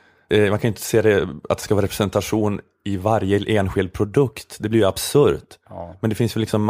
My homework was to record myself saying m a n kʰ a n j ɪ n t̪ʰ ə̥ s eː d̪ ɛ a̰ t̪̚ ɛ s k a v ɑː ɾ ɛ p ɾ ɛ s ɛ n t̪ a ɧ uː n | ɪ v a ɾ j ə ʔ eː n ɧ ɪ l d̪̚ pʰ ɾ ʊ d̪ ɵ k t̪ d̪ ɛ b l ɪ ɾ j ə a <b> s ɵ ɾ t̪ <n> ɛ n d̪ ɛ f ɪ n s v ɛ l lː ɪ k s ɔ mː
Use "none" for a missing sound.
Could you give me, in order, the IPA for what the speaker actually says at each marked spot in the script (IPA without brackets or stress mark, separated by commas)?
b, m